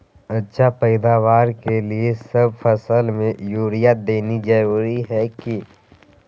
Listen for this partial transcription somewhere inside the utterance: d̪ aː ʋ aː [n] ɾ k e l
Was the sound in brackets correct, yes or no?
no